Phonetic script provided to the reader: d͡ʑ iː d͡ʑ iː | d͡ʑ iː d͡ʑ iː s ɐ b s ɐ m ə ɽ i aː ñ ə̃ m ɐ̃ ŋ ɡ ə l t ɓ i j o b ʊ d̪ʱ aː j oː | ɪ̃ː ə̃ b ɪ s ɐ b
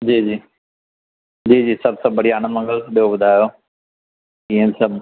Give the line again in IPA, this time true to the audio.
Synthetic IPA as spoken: d͡ʑ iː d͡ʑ iː | d͡ʑ iː d͡ʑ iː s ɐ b s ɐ b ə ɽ i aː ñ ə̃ m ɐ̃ ŋ ɡ ə l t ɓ i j o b ʊ d̪ʱ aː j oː | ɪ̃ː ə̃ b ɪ s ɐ b